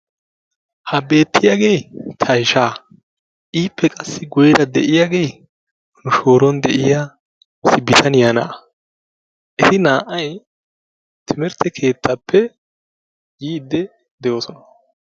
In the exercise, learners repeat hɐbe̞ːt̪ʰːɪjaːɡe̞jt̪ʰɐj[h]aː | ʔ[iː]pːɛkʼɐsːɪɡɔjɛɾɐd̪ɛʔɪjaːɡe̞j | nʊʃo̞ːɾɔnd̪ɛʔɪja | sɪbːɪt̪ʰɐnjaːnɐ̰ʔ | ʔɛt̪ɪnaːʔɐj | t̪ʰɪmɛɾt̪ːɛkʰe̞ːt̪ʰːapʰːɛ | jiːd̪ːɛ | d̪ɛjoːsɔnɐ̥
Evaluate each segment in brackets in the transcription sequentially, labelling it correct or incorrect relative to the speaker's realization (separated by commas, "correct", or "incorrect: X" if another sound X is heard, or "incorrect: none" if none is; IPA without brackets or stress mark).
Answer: incorrect: ʃ, correct